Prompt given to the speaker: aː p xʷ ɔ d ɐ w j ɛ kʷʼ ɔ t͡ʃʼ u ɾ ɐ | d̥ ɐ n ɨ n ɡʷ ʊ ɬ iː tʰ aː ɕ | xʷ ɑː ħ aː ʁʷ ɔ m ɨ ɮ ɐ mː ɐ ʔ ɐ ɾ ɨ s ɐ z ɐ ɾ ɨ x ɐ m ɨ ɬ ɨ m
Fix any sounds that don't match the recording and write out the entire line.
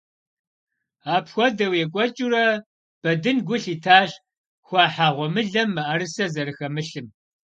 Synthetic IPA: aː p xʷ ɔ d ɐ w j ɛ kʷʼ ɔ t͡ʃʼ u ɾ ɐ | b̥ ɐ d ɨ n ɡʷ ʊ ɬ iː tʰ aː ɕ | xʷ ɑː ħ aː ʁʷ ɔ m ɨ ɮ ɐ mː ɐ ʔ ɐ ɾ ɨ s ɐ z ɐ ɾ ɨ x ɐ m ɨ ɬ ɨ m